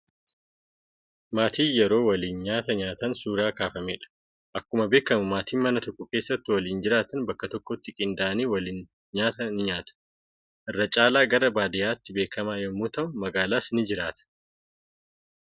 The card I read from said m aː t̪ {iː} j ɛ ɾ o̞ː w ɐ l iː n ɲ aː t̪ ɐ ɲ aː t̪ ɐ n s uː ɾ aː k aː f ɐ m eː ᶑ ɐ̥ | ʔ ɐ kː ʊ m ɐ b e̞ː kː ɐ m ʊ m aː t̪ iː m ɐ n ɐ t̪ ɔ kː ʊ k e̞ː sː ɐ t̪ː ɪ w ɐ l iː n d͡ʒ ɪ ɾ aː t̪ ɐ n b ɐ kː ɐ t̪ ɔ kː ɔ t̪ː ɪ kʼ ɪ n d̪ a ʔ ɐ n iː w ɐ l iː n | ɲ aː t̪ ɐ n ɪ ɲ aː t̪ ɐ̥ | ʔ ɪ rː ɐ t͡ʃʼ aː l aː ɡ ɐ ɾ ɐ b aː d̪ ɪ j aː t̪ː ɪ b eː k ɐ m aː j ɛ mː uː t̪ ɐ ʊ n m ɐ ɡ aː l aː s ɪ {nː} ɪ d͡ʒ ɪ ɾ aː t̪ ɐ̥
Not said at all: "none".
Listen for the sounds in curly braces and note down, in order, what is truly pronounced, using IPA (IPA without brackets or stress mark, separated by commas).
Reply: iː, n